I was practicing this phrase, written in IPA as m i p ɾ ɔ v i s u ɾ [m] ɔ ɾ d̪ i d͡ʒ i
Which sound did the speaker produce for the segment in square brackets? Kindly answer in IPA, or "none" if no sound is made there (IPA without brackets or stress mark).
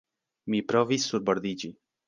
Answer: b